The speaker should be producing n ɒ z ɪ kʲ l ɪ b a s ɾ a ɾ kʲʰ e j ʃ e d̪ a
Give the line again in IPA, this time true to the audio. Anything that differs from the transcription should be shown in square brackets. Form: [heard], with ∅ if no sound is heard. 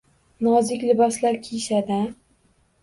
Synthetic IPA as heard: n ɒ z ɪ kʲ l ɪ b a s [l] a ɾ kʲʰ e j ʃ [a] d̪ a

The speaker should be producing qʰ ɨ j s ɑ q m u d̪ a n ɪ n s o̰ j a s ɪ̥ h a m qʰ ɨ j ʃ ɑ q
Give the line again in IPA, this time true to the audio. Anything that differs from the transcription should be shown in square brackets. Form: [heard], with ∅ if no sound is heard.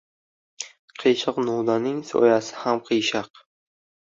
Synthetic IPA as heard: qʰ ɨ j [ʃ] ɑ q [n] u d̪ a n ɪ [ŋ] s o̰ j a s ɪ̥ h a m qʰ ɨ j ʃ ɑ q

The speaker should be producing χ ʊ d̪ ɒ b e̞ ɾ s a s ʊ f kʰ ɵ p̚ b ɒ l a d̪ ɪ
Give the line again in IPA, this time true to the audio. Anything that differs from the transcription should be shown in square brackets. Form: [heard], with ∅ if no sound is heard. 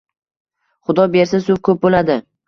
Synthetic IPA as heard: χ ʊ d̪ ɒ b e̞ ɾ s a s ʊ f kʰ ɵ p̚ b [o] l a d̪ ɪ

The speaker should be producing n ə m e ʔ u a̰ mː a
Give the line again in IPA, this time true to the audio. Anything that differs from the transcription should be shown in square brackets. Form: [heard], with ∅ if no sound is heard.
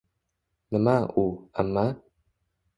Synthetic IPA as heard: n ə m [a] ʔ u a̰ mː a

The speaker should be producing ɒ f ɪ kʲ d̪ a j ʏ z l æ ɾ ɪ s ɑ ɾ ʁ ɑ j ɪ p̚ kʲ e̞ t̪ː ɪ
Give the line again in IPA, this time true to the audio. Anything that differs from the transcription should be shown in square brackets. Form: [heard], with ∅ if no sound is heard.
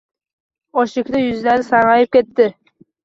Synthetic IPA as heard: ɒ [ʃ] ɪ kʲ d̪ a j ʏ z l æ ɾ ɪ s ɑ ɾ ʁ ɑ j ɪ p̚ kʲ e̞ t̪ː ɪ

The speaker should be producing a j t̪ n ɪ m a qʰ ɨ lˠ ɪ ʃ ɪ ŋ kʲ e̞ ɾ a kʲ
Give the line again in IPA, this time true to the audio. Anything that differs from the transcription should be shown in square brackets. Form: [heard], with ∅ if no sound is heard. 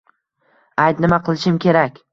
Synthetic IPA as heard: a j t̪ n ɪ m a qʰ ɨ lˠ ɪ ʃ ɪ [m] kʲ e̞ ɾ a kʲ

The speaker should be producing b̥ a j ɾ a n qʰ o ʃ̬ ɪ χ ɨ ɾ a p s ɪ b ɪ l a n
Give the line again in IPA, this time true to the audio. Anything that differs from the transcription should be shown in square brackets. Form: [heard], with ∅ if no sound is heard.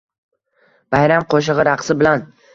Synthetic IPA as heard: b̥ a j ɾ a [m] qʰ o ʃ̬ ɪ [ʁ] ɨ ɾ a [q] s ɪ b ɪ l a n

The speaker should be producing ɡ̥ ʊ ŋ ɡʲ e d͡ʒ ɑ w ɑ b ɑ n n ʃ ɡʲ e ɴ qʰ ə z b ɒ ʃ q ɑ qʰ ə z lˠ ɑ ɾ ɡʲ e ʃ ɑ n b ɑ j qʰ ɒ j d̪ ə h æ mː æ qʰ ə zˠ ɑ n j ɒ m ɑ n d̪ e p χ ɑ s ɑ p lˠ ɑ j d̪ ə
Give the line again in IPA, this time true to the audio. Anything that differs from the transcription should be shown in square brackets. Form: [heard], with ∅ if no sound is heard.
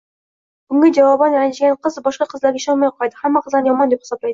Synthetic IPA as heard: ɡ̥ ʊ ŋ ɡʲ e d͡ʒ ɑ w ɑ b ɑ n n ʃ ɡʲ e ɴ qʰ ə z b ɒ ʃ q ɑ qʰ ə z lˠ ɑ ɾ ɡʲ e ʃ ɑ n [m] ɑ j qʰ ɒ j d̪ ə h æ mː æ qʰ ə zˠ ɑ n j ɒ m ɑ n d̪ e p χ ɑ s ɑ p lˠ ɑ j d̪ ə

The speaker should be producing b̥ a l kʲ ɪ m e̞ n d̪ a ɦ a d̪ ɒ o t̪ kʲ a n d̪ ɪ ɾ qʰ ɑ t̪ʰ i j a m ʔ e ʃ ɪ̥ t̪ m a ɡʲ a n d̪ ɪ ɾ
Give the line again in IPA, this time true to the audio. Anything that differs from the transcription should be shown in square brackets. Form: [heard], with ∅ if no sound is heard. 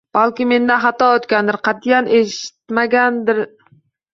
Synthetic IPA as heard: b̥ a l kʲ ɪ m e̞ n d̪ a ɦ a [t̪] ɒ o t̪ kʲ a n d̪ ɪ ɾ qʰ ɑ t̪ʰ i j a [n] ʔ e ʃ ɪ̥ t̪ m a ɡʲ a n d̪ ɪ ɾ

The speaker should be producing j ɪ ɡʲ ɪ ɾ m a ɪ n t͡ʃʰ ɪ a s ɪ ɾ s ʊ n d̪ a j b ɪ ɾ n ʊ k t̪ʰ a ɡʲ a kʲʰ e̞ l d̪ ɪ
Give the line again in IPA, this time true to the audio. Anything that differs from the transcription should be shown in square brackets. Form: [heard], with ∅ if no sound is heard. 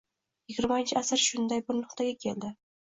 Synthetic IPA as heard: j ɪ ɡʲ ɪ ɾ m a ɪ n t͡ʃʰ ɪ a s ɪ ɾ [ʃ] ʊ n d̪ a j b ɪ ɾ n ʊ [q] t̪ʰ a ɡʲ a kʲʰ e̞ l d̪ ɪ

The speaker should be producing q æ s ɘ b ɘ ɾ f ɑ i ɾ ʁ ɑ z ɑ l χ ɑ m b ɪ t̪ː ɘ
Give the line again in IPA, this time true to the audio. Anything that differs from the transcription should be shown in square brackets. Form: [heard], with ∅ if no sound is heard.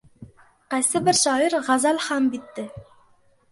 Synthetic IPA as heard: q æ s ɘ b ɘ ɾ [ʃ] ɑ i ɾ ʁ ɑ z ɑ l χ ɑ m b [i] t̪ː ɘ

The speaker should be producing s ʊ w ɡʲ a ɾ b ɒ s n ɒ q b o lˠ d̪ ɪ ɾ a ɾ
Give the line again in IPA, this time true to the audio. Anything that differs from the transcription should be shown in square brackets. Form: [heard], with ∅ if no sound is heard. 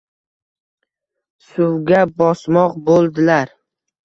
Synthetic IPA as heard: s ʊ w ɡʲ a [∅] b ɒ s [m] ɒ q b o lˠ d̪ ɪ [l] a ɾ

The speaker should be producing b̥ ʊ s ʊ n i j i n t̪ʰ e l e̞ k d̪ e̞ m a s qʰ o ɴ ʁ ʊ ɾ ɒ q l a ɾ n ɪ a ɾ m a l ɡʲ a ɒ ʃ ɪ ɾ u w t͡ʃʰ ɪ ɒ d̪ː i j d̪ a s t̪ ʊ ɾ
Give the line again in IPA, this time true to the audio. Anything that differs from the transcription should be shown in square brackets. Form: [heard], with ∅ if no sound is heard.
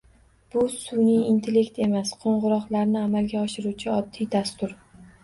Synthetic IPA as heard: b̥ ʊ s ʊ n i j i n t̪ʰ e l e̞ k [t̪] e̞ m a s qʰ o ɴ ʁ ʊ ɾ ɒ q l a ɾ n ɪ a [∅] m a l ɡʲ a ɒ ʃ ɪ ɾ u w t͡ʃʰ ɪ ɒ d̪ː i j d̪ a s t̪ ʊ ɾ

